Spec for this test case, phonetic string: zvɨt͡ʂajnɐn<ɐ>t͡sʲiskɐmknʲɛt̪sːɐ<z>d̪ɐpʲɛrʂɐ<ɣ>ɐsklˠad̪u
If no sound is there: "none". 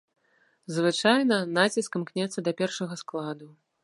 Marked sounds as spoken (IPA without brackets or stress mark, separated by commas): a, none, ɣ